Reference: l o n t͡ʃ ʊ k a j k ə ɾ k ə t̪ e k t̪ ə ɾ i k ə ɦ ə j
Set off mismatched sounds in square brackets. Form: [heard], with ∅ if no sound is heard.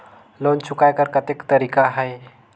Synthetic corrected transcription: l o n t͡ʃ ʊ k a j k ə ɾ k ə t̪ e k t̪ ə ɾ i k [a] ɦ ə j